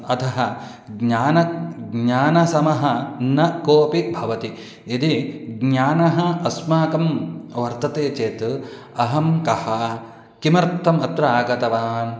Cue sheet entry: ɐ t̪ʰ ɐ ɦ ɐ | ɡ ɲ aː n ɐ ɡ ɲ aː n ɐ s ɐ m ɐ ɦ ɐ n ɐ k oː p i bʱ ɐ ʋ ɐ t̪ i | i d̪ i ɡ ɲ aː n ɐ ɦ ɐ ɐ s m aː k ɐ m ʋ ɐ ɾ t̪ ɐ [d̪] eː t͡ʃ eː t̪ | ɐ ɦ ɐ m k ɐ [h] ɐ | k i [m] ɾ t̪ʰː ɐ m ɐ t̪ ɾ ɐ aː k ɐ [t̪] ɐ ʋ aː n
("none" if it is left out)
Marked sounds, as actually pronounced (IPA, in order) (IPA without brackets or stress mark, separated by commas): t̪, h, m, t̪